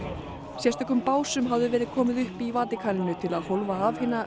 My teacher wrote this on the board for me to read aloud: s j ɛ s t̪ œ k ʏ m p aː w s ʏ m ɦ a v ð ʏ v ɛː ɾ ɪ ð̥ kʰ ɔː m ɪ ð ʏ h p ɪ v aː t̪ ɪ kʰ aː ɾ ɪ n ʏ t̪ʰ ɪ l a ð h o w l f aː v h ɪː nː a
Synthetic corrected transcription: s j ɛ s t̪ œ k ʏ m p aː w s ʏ m ɦ a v ð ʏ v ɛː ɾ ɪ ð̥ kʰ ɔː m ɪ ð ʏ h p i v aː t̪ ɪ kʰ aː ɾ ɪ n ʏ t̪ʰ ɪ l a ð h o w l v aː v h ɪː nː a